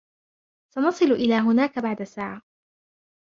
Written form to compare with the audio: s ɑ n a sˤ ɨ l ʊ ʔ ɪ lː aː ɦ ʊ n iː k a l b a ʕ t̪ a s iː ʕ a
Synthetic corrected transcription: s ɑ n ɑ sˤ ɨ l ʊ ʔ ɪ l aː ɦ ʊ n aː k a b a ʕ d̪ a s aː ʕ a